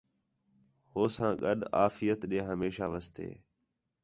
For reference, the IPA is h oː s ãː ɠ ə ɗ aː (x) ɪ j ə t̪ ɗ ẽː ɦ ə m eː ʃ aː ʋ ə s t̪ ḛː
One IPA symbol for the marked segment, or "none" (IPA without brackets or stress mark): f